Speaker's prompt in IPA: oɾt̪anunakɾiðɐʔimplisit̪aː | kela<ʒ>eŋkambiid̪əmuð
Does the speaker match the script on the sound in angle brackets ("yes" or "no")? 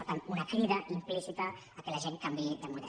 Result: yes